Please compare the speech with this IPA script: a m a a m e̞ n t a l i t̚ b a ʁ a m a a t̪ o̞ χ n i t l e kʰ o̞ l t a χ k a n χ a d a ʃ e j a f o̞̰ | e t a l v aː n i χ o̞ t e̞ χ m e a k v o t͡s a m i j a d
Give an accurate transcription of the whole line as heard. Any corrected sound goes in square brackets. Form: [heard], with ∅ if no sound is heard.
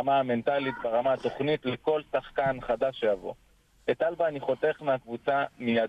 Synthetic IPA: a m a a m e̞ n t a l i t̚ b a ʁ a m a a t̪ o̞ χ n i t l e [k] o̞ l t a χ k a n χ a d a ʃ e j a [v] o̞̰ | e t a l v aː n i χ o̞ t e̞ χ m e a k v [u] t͡s a m i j a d